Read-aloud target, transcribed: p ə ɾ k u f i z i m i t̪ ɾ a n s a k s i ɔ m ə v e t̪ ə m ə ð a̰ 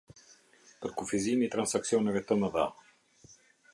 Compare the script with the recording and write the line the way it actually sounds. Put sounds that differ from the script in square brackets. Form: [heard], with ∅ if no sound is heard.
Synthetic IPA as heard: p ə ɾ k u f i z i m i t̪ ɾ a n s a k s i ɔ [n] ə v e t̪ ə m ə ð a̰